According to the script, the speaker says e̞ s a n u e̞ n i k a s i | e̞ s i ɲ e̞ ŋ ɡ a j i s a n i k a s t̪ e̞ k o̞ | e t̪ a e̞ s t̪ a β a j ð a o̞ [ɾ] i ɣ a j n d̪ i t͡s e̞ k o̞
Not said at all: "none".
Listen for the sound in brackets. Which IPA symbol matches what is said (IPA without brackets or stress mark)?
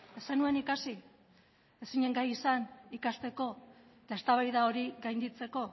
ɾ